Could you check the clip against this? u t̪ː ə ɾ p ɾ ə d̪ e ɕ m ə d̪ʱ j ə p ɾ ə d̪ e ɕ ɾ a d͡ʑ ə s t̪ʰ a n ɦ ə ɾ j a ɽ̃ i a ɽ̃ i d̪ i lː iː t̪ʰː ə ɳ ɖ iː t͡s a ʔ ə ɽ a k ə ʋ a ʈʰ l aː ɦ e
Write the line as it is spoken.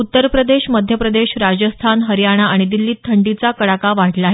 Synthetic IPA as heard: u t̪ː ə ɾ p ɾ ə d̪ e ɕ m ə d̪ʱ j ə p ɾ ə d̪ e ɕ ɾ a d͡ʑ ə s t̪ʰ a n ɦ ə ɾ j a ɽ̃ a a ɽ̃ i d̪ i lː iː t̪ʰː ə ɳ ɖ i t͡s a k ə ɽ a k a ʋ a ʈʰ l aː ɦ e